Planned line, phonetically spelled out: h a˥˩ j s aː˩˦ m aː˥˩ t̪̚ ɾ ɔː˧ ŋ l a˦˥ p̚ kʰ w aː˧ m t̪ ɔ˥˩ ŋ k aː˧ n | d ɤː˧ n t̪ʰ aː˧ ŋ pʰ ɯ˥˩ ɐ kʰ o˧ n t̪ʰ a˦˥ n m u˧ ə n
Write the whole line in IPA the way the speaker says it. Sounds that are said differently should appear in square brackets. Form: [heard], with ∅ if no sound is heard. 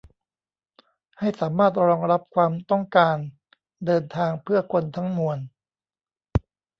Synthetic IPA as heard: h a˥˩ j s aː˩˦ m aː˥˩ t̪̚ ɾ ɔː˧ ŋ [ɾ] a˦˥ p̚ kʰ w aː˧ m t̪ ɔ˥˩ ŋ k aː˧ n | d ɤː˧ n t̪ʰ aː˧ ŋ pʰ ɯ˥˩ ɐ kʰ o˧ n t̪ʰ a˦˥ [ŋ] m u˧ ə n